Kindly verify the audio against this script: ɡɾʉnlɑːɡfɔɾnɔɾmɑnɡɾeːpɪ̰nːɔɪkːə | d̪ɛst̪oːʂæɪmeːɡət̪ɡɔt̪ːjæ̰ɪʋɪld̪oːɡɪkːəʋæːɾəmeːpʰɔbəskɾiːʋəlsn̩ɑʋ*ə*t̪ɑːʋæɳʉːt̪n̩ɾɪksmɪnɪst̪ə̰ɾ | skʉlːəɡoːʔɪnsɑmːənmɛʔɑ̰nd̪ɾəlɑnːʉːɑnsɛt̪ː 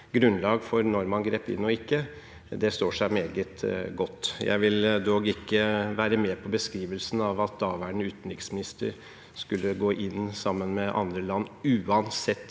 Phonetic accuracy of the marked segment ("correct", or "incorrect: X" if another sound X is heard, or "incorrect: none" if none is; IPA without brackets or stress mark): incorrect: ɑ